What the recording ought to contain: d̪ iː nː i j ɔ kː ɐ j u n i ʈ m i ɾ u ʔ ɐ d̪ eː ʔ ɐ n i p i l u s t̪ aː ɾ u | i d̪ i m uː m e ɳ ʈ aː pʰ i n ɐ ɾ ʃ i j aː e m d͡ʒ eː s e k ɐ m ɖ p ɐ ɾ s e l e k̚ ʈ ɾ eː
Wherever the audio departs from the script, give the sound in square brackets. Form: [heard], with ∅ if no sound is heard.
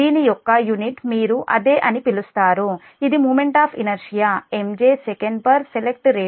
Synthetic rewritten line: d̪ iː [n] i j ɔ kː ɐ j u n i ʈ m [iː] ɾ u ʔ ɐ d̪ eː ʔ ɐ n i p i l u s t̪ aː ɾ u | i d̪ i m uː m e ɳ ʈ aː pʰ i n ɐ ɾ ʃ i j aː e m d͡ʒ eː s e k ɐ [ɳ] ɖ p ɐ ɾ s e l e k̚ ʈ ɾ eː

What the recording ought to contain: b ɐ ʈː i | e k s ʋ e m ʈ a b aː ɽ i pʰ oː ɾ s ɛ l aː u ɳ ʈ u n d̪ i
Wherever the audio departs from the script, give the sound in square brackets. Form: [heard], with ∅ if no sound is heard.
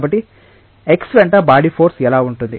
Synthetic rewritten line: b ɐ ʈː i | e k s ʋ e [ɳ] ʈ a b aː ɽ i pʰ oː ɾ s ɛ l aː u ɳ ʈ u n d̪ i

